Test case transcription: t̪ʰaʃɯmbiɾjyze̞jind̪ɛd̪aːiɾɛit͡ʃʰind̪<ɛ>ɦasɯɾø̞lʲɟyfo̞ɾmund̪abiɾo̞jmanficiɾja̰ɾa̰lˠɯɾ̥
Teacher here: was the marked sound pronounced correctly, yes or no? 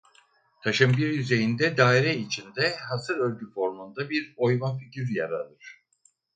yes